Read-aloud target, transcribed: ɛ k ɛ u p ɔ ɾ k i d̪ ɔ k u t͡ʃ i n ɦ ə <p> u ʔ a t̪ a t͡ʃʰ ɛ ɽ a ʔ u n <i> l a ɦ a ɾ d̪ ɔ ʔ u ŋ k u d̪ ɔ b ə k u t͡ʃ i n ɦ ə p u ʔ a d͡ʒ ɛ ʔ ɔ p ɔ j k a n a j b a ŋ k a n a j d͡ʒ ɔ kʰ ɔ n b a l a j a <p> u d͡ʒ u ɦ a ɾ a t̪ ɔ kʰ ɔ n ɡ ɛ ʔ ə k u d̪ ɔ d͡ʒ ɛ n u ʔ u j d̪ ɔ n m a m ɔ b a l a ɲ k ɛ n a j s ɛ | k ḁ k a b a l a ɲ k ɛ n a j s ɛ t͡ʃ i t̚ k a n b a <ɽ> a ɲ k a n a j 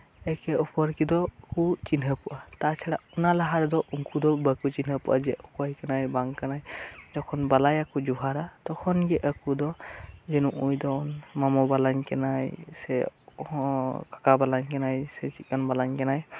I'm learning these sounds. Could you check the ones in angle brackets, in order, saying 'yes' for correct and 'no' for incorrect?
yes, no, no, no

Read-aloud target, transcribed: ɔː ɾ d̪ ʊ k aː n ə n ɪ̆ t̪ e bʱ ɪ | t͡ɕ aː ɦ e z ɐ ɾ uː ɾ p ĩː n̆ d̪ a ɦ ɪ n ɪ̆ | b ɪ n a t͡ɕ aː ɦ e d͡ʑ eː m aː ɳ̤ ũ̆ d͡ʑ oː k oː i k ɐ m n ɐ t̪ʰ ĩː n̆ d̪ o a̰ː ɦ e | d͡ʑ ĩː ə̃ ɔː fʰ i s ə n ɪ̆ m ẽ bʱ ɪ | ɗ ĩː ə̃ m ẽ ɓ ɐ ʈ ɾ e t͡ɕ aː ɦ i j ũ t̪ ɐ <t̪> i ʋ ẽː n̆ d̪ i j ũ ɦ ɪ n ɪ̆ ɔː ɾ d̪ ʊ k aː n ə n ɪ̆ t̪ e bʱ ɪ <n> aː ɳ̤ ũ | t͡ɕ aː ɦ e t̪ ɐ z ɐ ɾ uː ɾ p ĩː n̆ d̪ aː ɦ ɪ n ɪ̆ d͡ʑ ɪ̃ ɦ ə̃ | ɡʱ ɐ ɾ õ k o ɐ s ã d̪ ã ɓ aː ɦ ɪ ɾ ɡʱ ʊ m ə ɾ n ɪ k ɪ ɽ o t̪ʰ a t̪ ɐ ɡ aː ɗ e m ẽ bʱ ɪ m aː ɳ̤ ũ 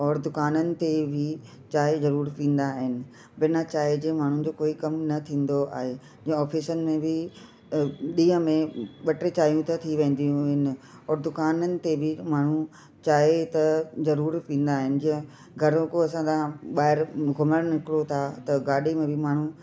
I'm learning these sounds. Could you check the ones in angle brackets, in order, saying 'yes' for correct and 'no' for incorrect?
no, no

